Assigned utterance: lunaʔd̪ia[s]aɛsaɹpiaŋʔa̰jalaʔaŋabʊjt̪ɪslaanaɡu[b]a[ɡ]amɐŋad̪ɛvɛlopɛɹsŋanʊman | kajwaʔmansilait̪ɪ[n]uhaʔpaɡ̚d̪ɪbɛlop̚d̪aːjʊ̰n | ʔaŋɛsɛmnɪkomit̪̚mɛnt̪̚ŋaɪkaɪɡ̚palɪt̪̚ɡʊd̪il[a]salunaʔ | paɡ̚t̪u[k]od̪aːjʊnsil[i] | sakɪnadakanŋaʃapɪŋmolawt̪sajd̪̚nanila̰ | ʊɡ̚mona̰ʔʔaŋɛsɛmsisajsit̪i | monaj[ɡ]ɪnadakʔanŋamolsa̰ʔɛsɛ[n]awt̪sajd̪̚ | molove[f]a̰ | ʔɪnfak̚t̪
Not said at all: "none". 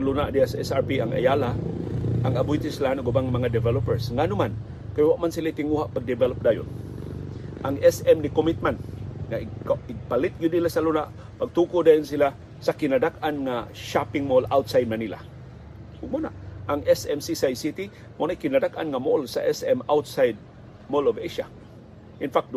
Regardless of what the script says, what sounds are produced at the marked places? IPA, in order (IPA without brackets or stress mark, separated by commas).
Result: s, b, ŋ, ŋ, a, k, a, k, m, ʃ